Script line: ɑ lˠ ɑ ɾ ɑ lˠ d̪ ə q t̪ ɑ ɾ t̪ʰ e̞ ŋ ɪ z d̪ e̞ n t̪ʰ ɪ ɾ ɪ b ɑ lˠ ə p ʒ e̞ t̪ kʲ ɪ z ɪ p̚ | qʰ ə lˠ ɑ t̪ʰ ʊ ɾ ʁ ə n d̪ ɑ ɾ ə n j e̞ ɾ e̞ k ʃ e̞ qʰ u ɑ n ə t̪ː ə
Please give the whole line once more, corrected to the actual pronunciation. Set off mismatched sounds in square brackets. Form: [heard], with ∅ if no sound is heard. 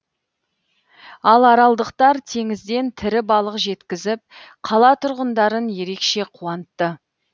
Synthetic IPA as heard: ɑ lˠ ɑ ɾ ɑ lˠ d̪ ə q t̪ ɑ ɾ t̪ʰ e̞ ŋ ɪ z d̪ e̞ n t̪ʰ ɪ ɾ ɪ b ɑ lˠ ə [q] ʒ e̞ t̪ kʲ ɪ z ɪ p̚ | qʰ [ɑ] lˠ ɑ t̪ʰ ʊ ɾ ʁ ə n d̪ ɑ ɾ ə n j e̞ ɾ e̞ k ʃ e̞ qʰ u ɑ n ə t̪ː ə